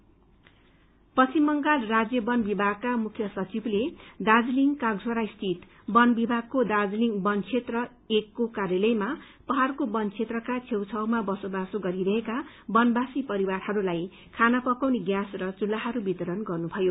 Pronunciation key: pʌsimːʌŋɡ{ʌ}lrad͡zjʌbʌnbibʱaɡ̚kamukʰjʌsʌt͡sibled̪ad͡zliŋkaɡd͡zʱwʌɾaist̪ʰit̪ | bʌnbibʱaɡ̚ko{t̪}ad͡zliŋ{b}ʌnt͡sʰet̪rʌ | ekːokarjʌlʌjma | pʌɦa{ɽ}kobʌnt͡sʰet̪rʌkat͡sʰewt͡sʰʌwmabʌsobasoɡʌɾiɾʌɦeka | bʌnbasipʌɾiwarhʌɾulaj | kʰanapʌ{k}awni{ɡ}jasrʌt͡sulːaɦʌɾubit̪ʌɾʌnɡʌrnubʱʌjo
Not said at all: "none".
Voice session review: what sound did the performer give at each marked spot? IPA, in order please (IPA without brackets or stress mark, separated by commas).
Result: a, d̪, b, r, k, ɡ